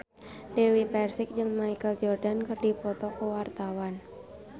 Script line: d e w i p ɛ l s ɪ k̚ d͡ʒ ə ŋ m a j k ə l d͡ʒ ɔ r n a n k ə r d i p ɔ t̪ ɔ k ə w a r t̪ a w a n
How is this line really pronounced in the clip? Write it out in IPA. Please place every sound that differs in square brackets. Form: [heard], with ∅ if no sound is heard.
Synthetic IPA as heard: d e w i p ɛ [r] s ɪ k̚ d͡ʒ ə ŋ m a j k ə l d͡ʒ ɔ r [d] a n k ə r d i p ɔ t̪ ɔ k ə w a r t̪ a w a n